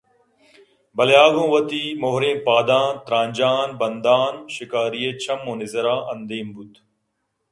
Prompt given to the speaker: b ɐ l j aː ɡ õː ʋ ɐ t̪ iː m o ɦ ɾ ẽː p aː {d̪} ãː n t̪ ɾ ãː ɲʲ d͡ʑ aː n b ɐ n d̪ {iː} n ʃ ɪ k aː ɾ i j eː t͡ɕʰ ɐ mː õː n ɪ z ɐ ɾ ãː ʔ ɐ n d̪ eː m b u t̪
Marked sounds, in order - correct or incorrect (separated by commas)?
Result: correct, incorrect